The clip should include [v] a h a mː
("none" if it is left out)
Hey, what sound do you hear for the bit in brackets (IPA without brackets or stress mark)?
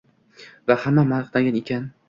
v